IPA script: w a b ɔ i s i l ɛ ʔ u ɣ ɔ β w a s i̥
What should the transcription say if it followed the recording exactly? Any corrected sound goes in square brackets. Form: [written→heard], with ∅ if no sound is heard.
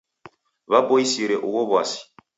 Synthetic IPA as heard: [w→β] a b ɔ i s i [l→ɾ] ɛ ʔ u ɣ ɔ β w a s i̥